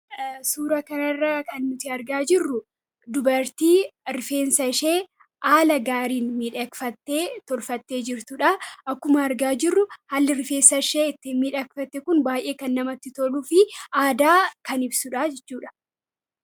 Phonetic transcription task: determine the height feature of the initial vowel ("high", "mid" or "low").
high